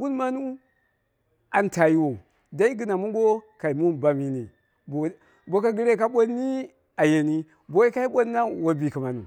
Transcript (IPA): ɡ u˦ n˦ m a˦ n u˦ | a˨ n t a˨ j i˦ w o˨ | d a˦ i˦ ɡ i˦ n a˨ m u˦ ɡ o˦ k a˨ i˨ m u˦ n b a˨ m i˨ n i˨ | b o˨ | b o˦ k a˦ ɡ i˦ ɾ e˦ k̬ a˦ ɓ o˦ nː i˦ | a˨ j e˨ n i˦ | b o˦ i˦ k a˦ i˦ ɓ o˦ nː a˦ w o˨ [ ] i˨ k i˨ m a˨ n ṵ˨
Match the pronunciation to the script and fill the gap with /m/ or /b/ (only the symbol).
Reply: b